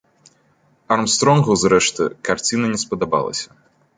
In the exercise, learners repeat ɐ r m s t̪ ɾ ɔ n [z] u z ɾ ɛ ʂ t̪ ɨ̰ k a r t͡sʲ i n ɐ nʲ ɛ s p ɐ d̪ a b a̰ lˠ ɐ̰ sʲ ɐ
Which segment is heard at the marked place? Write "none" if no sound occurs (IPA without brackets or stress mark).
ɣ